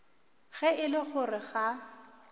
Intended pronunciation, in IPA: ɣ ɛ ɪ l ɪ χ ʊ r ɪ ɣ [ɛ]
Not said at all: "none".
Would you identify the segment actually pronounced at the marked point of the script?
a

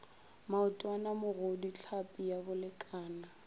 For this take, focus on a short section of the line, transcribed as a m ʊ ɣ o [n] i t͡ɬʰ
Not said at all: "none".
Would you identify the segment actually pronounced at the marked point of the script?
d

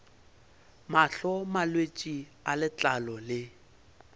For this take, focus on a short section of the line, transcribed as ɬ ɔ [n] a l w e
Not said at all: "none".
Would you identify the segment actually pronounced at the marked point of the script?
m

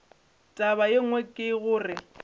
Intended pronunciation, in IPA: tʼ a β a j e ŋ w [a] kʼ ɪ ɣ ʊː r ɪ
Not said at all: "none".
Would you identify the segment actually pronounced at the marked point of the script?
ɛ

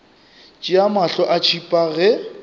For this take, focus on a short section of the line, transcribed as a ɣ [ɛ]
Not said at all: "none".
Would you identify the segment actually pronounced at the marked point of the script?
ɛ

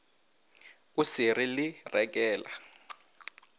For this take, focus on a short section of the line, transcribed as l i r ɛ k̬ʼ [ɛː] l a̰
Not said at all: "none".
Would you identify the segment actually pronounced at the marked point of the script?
ɛː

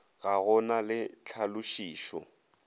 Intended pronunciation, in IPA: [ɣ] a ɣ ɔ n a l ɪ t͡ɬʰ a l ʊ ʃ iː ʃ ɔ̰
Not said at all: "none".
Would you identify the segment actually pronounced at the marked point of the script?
ɣ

